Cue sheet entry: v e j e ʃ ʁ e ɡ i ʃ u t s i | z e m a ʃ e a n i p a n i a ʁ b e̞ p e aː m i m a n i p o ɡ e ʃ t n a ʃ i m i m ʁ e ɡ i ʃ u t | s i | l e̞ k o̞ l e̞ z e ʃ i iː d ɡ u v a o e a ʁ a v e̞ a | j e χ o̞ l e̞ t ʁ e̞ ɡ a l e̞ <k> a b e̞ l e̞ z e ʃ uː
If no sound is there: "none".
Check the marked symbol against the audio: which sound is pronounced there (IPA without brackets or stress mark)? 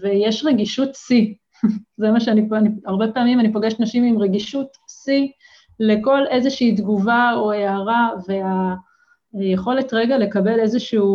k